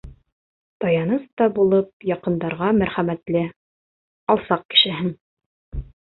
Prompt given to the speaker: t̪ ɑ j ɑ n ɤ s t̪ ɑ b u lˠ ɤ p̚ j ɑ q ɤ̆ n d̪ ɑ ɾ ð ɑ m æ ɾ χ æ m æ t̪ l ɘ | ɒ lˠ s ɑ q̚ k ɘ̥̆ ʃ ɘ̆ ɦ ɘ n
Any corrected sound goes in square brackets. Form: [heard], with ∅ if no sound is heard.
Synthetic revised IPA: t̪ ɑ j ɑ n ɤ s t̪ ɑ b u lˠ ɤ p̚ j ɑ q ɤ̆ n d̪ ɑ ɾ [ʁ] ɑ m æ ɾ χ æ m æ t̪ l ɘ | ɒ lˠ s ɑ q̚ k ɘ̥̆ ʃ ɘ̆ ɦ ɘ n